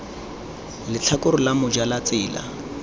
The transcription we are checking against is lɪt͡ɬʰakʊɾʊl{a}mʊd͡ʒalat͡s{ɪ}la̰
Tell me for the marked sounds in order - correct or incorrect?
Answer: correct, incorrect

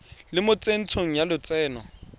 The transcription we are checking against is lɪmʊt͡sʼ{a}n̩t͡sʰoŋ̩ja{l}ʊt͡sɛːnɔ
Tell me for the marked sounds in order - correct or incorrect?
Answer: incorrect, correct

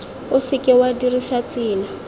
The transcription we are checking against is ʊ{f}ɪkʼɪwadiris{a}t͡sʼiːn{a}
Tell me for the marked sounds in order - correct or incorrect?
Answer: incorrect, correct, correct

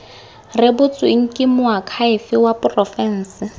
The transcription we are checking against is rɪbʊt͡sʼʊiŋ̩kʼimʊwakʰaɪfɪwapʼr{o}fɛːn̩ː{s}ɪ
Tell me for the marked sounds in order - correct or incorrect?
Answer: incorrect, correct

